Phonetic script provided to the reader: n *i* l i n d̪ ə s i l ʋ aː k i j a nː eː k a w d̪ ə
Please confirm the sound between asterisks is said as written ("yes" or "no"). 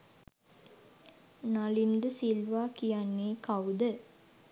no